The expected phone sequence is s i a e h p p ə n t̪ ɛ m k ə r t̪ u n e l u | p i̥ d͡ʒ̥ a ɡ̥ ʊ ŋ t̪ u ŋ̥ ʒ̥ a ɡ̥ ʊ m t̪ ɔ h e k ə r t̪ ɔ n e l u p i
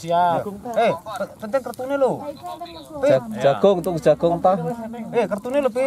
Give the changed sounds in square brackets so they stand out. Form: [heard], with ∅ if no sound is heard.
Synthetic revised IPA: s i a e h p p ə n t̪ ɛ [ŋ] k ə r t̪ u n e l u | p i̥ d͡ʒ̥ a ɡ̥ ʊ ŋ t̪ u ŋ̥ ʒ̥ a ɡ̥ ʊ [ŋ] t̪ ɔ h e k ə r t̪ [u] n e l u p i